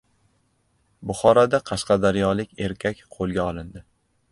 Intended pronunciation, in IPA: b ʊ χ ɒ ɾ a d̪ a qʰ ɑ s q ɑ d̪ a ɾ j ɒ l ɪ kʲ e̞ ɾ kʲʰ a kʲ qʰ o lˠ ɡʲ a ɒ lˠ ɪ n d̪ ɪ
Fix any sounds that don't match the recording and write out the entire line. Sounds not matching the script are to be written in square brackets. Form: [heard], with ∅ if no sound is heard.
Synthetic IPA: b ʊ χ ɒ ɾ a d̪ a qʰ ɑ [ʃ] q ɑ d̪ a ɾ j ɒ l ɪ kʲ e̞ ɾ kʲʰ a kʲ qʰ o lˠ ɡʲ a ɒ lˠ ɪ n d̪ ɪ